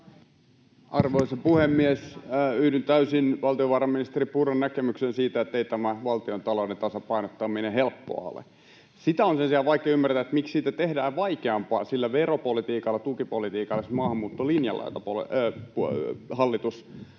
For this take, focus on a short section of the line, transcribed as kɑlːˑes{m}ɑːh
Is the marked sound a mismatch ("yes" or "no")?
no